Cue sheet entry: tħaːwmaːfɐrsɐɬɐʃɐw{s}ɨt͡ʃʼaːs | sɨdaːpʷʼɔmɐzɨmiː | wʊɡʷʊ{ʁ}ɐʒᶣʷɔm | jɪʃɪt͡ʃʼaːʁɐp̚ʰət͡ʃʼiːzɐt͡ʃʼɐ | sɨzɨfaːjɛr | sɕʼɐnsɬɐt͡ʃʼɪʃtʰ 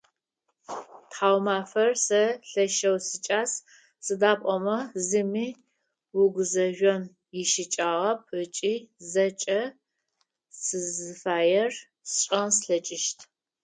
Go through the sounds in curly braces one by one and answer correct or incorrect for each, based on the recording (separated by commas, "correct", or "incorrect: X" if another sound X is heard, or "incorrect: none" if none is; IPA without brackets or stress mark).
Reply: correct, incorrect: z